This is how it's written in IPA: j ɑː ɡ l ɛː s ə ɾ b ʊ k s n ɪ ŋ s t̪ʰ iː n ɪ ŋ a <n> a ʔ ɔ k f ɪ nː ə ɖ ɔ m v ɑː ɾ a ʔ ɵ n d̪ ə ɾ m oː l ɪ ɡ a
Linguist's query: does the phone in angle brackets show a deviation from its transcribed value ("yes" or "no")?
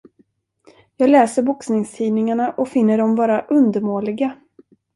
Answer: yes